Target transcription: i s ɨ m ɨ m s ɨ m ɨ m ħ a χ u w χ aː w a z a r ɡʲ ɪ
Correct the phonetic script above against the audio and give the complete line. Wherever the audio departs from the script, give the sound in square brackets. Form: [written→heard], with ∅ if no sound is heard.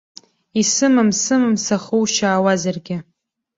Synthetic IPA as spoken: i s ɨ m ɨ m s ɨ m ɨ m [ħ→s] a χ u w [χ→ʃ] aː w a z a r ɡʲ ɪ